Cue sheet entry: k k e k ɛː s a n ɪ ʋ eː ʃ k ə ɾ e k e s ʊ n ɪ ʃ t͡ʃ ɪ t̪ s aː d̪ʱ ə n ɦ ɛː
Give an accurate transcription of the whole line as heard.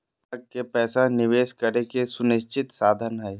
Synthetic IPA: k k e p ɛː s a n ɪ ʋ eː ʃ k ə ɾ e k e s ʊ n ɪ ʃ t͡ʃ ɪ t̪ s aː d̪ʱ ə n ɦ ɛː